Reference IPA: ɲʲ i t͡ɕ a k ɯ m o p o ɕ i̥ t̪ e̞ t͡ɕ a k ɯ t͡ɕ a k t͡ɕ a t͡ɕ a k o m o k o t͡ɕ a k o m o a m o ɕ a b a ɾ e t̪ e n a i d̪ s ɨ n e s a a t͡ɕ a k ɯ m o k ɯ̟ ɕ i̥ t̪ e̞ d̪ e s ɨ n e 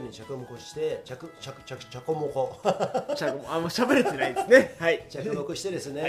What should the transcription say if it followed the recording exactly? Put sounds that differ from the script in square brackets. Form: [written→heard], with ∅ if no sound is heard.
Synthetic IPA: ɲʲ i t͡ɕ a k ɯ m o [p→k] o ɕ i̥ t̪ e̞ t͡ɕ a k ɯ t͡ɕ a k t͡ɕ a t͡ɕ a k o m o k o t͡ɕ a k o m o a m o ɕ a b [a→e] ɾ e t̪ e n a i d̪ s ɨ n e [s→h] a [a→i] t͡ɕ a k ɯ m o k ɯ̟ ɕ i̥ t̪ e̞ d̪ e s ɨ n e